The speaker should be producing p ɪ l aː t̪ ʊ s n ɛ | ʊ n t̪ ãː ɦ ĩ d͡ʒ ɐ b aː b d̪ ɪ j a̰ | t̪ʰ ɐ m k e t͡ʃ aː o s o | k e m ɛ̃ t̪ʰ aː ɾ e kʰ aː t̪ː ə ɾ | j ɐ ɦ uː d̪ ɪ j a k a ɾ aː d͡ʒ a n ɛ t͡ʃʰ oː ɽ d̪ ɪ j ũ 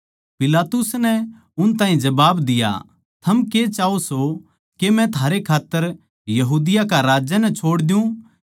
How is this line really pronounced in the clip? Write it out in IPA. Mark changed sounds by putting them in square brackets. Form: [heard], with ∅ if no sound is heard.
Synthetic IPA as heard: p ɪ l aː t̪ ʊ s n ɛ | ʊ n t̪ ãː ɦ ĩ d͡ʒ ɐ b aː b d̪ ɪ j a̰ | t̪ʰ ɐ m k e t͡ʃ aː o s o | k e m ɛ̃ t̪ʰ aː ɾ e kʰ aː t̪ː ə ɾ | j ɐ ɦ uː d̪ ɪ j a k a ɾ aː d͡ʒ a n ɛ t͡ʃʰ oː ɽ d̪ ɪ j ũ